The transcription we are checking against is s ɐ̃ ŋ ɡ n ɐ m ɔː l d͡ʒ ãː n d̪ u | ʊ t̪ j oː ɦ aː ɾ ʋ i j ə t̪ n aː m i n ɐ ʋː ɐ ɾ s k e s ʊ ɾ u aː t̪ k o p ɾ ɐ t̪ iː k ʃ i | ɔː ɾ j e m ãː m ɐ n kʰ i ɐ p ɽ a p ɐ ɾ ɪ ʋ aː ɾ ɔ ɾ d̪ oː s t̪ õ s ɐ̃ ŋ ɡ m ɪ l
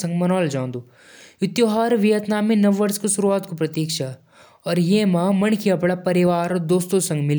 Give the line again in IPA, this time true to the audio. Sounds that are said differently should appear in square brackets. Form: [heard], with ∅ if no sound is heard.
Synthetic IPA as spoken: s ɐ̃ ŋ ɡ [m] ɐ [n] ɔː l d͡ʒ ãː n d̪ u | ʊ t̪ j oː ɦ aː ɾ ʋ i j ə t̪ n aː m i n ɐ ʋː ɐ ɾ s k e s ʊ ɾ u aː t̪ k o p ɾ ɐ t̪ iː k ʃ [a] | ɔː ɾ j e m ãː m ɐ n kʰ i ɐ p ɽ a p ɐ ɾ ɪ ʋ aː ɾ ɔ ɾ d̪ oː s t̪ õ s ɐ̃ ŋ ɡ m ɪ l